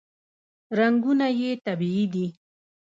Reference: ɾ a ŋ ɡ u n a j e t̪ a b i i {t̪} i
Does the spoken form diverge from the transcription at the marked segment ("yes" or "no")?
yes